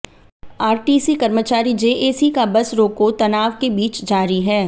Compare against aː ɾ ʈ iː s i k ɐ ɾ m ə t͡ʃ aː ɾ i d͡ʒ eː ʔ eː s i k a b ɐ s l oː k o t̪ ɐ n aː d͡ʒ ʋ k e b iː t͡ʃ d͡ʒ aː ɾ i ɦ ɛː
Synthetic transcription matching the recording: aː ɾ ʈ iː s i k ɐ ɾ m ə t͡ʃ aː ɾ i d͡ʒ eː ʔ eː s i k a b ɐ s ɾ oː k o t̪ ɐ n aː ʋ k e b iː t͡ʃ d͡ʒ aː ɾ i ɦ ɛː